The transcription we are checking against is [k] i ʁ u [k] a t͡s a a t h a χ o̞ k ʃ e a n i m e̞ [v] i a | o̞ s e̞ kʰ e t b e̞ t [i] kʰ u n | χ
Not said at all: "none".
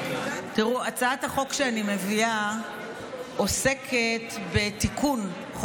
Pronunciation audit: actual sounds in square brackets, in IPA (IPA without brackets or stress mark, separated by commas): t, none, v, i